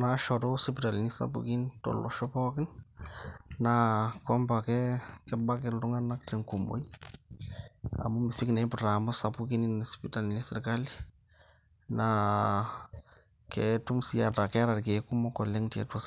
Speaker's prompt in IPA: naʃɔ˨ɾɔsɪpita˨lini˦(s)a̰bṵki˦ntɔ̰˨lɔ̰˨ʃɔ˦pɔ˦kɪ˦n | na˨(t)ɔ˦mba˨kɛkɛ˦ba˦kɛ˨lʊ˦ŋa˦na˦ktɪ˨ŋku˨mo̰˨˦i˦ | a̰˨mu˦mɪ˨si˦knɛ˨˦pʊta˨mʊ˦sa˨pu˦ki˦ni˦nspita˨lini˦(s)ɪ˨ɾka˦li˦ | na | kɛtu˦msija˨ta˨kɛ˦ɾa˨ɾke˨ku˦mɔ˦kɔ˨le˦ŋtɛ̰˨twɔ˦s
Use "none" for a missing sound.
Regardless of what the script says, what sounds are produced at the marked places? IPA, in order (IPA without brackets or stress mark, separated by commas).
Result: s, k, s